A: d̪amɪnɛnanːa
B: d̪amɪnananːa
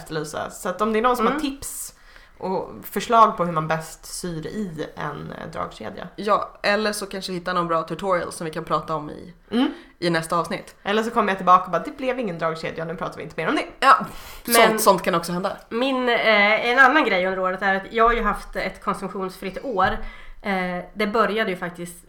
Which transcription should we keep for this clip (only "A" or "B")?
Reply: A